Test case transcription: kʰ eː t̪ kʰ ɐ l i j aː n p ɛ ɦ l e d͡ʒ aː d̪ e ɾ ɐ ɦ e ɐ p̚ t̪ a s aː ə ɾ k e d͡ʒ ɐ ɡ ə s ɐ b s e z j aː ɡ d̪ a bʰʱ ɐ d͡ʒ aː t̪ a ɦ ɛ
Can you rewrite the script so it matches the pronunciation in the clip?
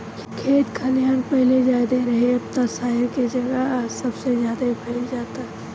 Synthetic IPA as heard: kʰ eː t̪ kʰ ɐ l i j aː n p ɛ ɦ l e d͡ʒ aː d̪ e ɾ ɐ ɦ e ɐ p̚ t̪ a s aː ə ɾ k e d͡ʒ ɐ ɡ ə s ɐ b s e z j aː d̪ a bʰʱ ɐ d͡ʒ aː t̪ a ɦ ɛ